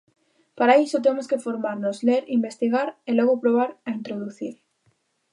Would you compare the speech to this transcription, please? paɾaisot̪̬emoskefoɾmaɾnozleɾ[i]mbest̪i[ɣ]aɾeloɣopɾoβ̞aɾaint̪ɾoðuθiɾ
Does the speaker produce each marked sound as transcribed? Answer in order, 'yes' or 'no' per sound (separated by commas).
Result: yes, yes